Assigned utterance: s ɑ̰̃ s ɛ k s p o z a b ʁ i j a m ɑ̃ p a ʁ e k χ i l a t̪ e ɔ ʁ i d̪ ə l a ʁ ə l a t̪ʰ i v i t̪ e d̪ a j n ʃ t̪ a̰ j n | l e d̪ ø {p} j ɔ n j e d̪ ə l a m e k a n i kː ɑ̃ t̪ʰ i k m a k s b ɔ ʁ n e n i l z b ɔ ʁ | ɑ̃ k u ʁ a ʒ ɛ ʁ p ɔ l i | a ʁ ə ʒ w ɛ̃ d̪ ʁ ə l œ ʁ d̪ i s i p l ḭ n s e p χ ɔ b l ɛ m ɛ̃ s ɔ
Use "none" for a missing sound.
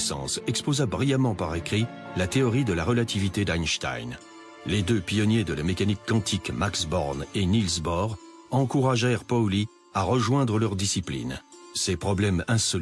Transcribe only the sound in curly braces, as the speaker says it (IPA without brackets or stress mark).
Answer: p